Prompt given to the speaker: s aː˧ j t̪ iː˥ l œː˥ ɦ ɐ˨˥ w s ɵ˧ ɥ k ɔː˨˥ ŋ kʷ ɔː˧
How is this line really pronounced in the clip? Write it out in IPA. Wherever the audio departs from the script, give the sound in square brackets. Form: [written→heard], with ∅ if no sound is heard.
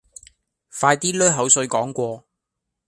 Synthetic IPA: [s→f] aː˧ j t̪ iː˥ l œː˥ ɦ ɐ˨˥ w s ɵ˧ ɥ k ɔː˨˥ ŋ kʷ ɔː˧